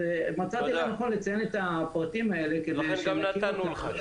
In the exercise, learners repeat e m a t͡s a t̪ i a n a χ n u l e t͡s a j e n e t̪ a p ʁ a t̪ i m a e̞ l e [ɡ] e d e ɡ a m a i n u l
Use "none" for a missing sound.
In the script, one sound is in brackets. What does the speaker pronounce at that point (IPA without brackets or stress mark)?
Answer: k